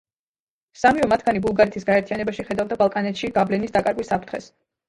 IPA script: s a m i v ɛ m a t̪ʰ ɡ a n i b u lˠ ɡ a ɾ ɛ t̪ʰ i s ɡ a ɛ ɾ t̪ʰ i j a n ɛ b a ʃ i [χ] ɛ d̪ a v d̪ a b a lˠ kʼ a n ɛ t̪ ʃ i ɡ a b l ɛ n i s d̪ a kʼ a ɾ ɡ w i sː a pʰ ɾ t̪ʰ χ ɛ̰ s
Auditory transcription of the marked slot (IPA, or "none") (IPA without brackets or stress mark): χ